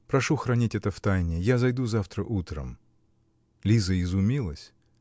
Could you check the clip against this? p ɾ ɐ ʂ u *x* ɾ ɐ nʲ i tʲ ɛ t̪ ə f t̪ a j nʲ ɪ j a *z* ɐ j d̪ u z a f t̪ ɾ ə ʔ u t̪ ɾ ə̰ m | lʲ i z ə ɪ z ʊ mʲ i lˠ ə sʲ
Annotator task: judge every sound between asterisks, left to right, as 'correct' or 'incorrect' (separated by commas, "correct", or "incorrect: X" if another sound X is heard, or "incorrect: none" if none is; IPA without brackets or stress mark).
correct, correct